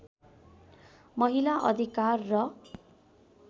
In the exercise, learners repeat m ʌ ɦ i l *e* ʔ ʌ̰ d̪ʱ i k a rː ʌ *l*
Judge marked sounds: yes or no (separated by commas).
no, no